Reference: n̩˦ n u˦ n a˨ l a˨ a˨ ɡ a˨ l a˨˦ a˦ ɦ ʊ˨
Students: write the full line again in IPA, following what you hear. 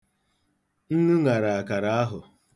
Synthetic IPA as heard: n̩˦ n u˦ ŋ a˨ ɾ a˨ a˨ k a˨ ɾ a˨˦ a˦ ɦ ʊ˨